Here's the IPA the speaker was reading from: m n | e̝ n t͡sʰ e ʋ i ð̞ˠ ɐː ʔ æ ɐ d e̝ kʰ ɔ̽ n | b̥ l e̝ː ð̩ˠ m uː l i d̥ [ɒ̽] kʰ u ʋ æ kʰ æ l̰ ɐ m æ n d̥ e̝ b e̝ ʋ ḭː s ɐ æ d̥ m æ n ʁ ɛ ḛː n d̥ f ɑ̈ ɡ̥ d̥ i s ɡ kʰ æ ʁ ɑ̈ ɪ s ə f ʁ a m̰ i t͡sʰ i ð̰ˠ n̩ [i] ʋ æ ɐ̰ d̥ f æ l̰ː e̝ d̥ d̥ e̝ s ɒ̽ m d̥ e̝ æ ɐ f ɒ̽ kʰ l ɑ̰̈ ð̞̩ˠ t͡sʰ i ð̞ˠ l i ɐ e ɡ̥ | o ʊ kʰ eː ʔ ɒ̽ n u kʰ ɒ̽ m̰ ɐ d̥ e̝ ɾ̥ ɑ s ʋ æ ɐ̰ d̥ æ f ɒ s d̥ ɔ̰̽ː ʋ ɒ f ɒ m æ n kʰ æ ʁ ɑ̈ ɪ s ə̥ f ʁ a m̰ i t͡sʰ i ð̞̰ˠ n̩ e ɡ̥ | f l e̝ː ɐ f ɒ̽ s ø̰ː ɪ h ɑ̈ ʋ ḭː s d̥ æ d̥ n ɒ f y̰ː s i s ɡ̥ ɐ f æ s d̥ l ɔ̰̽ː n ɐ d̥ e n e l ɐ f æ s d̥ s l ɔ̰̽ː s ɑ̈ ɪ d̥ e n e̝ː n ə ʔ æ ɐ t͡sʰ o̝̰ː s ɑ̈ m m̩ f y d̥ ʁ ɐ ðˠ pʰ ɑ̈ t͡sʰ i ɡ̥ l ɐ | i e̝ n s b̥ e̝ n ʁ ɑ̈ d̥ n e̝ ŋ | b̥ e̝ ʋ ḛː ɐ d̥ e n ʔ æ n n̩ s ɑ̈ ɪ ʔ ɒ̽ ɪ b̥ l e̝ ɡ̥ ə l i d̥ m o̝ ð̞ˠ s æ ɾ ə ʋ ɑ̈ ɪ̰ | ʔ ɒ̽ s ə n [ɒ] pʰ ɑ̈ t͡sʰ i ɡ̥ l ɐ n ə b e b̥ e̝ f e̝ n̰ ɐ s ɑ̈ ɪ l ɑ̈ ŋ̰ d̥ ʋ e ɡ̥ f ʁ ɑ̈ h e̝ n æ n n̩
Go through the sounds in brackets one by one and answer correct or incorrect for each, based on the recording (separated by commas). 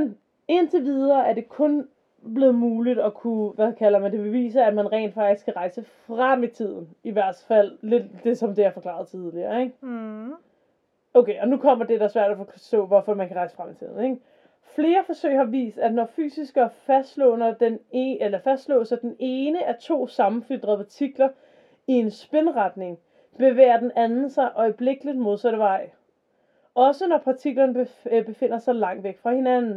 correct, correct, correct